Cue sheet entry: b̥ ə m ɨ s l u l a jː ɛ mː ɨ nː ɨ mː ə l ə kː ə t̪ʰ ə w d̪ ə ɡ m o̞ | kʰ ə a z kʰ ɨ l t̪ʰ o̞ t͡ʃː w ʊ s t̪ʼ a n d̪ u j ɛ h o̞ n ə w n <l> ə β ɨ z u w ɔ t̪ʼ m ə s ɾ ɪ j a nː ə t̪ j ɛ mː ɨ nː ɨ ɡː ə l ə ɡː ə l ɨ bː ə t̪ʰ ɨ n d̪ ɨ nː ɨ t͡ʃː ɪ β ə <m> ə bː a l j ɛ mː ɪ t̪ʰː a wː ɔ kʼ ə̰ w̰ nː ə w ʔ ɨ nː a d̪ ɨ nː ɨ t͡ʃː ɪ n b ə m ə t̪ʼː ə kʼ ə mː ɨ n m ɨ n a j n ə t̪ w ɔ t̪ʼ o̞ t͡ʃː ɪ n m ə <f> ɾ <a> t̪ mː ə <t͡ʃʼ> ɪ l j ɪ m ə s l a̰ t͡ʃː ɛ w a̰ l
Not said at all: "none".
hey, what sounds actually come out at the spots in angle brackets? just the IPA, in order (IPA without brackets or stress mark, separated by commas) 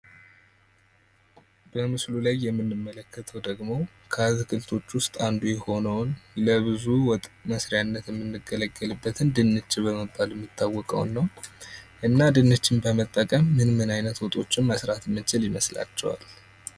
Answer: l, m, s, a, t͡ʃ